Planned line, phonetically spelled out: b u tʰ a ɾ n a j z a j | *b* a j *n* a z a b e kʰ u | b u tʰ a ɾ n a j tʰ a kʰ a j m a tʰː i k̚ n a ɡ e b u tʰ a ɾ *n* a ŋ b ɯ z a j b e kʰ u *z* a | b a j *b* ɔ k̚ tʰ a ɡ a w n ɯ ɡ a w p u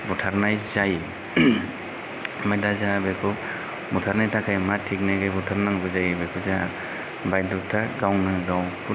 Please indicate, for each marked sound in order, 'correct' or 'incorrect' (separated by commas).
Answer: incorrect, incorrect, correct, correct, incorrect